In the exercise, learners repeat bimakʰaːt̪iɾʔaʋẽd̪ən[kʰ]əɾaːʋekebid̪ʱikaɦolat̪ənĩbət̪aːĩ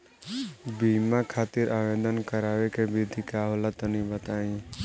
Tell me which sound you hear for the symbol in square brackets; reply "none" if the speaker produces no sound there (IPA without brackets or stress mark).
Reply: k